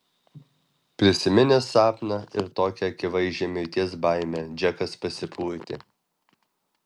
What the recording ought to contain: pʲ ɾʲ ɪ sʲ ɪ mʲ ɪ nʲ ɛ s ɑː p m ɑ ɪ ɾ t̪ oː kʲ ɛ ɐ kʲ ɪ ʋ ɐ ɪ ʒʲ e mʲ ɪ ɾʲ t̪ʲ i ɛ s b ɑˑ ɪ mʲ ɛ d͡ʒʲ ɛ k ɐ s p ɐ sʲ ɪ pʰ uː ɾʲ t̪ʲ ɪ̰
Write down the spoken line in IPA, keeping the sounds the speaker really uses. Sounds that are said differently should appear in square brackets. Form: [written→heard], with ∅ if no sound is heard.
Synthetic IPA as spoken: pʲ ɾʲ ɪ sʲ ɪ mʲ ɪ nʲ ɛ s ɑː p [m→n] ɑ ɪ ɾ t̪ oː kʲ ɛ ɐ kʲ ɪ ʋ ɐ ɪ ʒʲ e mʲ ɪ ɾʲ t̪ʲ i ɛ s b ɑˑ ɪ mʲ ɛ d͡ʒʲ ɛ k ɐ s p ɐ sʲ ɪ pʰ uː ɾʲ t̪ʲ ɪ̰

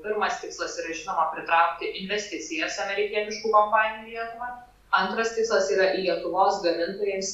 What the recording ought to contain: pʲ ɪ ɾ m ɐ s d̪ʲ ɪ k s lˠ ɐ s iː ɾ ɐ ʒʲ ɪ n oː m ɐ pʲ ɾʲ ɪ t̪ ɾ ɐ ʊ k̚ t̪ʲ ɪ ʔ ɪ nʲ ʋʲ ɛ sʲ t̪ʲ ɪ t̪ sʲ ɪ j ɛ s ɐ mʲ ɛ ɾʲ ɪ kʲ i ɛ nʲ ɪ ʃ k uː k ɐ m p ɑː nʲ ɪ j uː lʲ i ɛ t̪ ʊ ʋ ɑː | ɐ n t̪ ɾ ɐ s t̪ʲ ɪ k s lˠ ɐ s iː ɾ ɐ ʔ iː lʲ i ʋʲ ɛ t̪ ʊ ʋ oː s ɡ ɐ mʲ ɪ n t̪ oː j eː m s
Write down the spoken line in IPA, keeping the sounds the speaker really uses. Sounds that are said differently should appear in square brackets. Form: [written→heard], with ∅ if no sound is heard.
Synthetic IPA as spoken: pʲ ɪ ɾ m ɐ s [d̪ʲ→t̪ʲ] ɪ k s lˠ ɐ s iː ɾ ɐ ʒʲ ɪ n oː m ɐ pʲ ɾʲ ɪ t̪ ɾ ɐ ʊ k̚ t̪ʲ ɪ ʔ ɪ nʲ ʋʲ ɛ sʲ t̪ʲ ɪ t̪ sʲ ɪ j ɛ s ɐ mʲ ɛ ɾʲ ɪ kʲ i ɛ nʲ ɪ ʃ k uː k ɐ m p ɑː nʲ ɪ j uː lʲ i ɛ t̪ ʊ ʋ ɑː | ɐ n t̪ ɾ ɐ s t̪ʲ ɪ k s lˠ ɐ s iː ɾ ɐ ʔ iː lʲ i [ʋʲ→∅] ɛ t̪ ʊ ʋ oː s ɡ ɐ mʲ ɪ n t̪ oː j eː m s

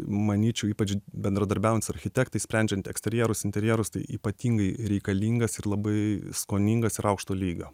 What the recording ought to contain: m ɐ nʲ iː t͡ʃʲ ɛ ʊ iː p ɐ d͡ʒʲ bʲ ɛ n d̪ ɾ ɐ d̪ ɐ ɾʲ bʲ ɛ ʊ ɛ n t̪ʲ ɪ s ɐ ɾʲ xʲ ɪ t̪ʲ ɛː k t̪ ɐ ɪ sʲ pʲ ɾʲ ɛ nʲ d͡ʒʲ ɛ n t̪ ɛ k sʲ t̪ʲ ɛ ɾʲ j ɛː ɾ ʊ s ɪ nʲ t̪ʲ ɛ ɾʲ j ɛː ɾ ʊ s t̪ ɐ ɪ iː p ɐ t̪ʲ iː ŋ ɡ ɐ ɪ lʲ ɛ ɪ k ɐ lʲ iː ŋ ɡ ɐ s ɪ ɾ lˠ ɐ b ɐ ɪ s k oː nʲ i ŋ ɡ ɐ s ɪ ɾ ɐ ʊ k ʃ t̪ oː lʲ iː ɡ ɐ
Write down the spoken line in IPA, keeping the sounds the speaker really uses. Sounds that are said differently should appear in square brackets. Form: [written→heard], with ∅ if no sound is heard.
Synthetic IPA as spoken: m ɐ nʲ iː t͡ʃʲ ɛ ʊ iː p ɐ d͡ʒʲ bʲ ɛ n d̪ ɾ ɐ d̪ ɐ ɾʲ bʲ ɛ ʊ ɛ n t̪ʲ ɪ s ɐ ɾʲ xʲ ɪ t̪ʲ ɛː k t̪ ɐ ɪ sʲ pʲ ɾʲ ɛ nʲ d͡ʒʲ ɛ n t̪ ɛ k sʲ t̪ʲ ɛ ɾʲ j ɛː ɾ ʊ s ɪ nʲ t̪ʲ ɛ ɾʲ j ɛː ɾ ʊ s t̪ ɐ ɪ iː p ɐ t̪ʲ iː ŋ ɡ ɐ ɪ [lʲ→ɾʲ] ɛ ɪ k ɐ lʲ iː ŋ ɡ ɐ s ɪ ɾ lˠ ɐ b ɐ ɪ s k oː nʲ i ŋ ɡ ɐ s ɪ ɾ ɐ ʊ k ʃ t̪ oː lʲ iː ɡ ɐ

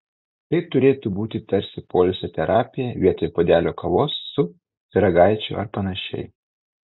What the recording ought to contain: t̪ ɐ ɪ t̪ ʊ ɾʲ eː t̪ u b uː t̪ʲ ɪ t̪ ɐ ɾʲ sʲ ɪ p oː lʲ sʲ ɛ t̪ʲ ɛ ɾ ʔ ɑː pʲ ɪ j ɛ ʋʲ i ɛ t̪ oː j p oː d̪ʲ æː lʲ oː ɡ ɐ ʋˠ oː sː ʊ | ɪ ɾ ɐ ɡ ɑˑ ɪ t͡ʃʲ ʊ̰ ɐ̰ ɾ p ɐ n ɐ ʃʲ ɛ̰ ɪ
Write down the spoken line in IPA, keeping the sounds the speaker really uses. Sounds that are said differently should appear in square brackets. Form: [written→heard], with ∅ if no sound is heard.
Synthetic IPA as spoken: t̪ ɐ ɪ t̪ ʊ ɾʲ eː t̪ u b uː t̪ʲ ɪ t̪ ɐ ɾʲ sʲ ɪ p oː lʲ sʲ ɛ t̪ʲ ɛ ɾ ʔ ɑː pʲ ɪ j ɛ ʋʲ i ɛ t̪ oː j p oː d̪ʲ æː lʲ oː [ɡ→k] ɐ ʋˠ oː sː ʊ | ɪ ɾ ɐ ɡ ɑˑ ɪ t͡ʃʲ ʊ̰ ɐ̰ ɾ p ɐ n ɐ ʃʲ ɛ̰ ɪ

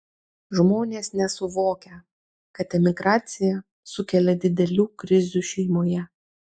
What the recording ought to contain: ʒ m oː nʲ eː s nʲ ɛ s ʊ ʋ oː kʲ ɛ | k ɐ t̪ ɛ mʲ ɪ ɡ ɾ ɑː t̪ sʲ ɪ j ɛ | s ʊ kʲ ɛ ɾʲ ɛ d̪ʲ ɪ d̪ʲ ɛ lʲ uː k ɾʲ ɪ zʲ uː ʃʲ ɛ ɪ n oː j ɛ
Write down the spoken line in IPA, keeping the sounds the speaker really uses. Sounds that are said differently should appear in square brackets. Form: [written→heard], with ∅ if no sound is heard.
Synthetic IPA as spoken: ʒ m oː nʲ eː s nʲ ɛ s ʊ ʋ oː kʲ ɛ | k ɐ t̪ ɛ mʲ ɪ ɡ ɾ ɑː t̪ sʲ ɪ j ɛ | s ʊ kʲ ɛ [ɾʲ→lʲ] ɛ d̪ʲ ɪ d̪ʲ ɛ lʲ uː k ɾʲ ɪ zʲ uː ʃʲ ɛ ɪ [n→m] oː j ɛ

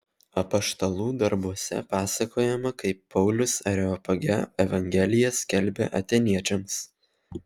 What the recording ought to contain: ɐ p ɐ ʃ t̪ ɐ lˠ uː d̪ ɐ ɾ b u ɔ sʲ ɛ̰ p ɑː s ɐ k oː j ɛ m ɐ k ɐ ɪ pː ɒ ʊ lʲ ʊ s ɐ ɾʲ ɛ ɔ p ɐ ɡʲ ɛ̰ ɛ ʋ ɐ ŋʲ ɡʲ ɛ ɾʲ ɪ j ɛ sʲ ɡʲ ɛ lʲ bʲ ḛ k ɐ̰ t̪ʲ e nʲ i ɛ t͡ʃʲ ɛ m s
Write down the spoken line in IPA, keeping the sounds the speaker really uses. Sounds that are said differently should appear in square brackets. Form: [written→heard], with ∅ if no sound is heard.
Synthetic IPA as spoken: ɐ p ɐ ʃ t̪ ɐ lˠ uː d̪ ɐ ɾ b u ɔ sʲ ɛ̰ p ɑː s ɐ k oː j ɛ m ɐ k ɐ ɪ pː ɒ ʊ lʲ ʊ s ɐ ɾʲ ɛ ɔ p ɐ ɡʲ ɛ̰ ɛ ʋ ɐ ŋʲ ɡʲ ɛ [ɾʲ→lʲ] ɪ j ɛ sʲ [ɡʲ→kʲ] ɛ lʲ bʲ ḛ [k→ʔ] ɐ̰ t̪ʲ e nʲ i ɛ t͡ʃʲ ɛ m s

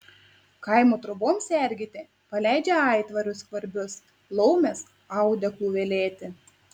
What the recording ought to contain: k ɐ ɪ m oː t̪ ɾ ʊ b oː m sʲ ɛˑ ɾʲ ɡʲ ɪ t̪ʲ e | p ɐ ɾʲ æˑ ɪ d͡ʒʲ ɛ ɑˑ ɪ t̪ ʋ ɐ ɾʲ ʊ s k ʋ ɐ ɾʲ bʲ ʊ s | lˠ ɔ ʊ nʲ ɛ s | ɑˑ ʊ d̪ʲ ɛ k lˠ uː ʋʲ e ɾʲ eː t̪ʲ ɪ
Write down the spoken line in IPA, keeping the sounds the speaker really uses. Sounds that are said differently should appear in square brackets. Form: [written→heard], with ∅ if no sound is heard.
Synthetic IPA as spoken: k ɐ ɪ m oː t̪ ɾ ʊ b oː m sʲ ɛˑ ɾʲ ɡʲ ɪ t̪ʲ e | p ɐ [ɾʲ→lʲ] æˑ ɪ d͡ʒʲ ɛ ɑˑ ɪ t̪ ʋ ɐ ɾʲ ʊ s k ʋ ɐ ɾʲ bʲ ʊ s | lˠ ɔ ʊ [nʲ→mʲ] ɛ s | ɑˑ ʊ d̪ʲ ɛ k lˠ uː ʋʲ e [ɾʲ→lʲ] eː t̪ʲ ɪ

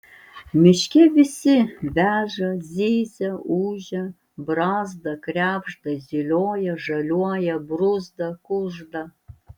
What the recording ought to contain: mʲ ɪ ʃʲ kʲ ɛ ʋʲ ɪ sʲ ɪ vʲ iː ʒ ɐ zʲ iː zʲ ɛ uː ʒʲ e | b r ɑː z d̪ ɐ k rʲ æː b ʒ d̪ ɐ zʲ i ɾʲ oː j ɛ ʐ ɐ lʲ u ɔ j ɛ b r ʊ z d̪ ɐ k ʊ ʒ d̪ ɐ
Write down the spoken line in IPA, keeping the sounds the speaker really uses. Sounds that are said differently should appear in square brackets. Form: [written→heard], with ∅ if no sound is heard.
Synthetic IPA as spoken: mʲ ɪ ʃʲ kʲ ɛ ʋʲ ɪ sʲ ɪ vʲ [iː→æː] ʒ ɐ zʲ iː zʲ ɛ uː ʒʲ [e→ɛ] | b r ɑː z d̪ ɐ k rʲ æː b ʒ d̪ ɐ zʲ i [ɾʲ→lʲ] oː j ɛ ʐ ɐ lʲ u ɔ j ɛ b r ʊ z d̪ ɐ k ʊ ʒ d̪ ɐ

